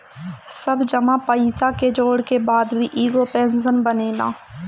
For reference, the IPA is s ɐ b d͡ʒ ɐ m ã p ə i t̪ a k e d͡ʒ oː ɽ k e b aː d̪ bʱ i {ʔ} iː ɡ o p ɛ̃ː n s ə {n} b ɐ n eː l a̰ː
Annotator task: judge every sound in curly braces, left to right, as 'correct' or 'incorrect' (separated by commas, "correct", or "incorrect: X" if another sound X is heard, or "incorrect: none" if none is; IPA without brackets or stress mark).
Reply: correct, correct